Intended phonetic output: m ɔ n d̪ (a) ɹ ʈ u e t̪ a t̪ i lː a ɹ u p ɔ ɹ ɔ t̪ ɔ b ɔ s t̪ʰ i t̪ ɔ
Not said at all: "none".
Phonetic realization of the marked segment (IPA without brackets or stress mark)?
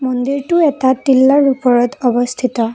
i